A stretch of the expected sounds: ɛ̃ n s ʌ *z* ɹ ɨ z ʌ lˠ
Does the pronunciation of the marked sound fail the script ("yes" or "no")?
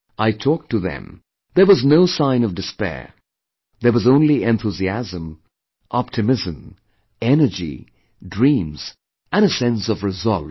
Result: yes